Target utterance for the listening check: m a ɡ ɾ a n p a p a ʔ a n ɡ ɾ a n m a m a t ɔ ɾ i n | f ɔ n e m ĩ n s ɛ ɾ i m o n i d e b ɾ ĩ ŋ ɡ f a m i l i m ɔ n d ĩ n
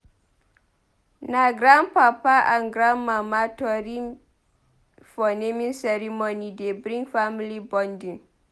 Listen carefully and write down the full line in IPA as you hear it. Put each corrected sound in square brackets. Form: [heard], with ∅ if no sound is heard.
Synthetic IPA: [n] a ɡ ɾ a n p a p a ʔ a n ɡ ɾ a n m a m a t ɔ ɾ i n | f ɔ n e m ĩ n s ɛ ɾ i m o n i d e b ɾ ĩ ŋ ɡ f a m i l i [b] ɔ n d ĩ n